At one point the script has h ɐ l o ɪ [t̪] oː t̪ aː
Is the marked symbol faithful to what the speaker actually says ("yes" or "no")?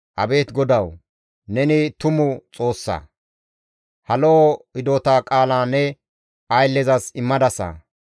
no